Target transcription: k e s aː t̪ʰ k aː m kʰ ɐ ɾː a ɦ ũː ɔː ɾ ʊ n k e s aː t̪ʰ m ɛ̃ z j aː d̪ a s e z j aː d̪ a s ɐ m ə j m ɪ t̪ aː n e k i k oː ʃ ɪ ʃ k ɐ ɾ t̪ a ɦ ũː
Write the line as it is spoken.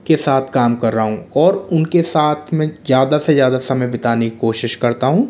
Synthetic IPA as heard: k e s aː t̪ʰ k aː m k ɐ ɾː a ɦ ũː ɔː ɾ ʊ n k e s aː t̪ʰ m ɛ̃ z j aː d̪ a s e z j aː d̪ a s ɐ m ə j b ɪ t̪ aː n e k i k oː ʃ ɪ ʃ k ɐ ɾ t̪ a ɦ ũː